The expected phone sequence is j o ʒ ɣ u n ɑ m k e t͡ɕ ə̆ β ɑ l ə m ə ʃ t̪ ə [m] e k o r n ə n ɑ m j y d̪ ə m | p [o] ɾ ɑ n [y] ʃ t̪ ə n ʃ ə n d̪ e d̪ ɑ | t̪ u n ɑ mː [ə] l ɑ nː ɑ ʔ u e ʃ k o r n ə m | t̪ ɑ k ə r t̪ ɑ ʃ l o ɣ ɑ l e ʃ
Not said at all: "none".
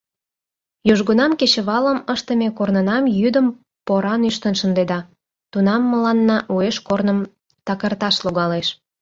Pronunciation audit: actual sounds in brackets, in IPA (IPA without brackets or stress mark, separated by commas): m, o, y, ə